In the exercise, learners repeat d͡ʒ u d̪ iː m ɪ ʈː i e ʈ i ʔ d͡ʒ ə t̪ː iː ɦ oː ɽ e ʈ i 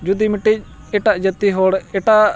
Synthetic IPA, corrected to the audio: d͡ʒ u d̪ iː m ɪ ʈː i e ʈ a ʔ d͡ʒ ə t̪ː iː ɦ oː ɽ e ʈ a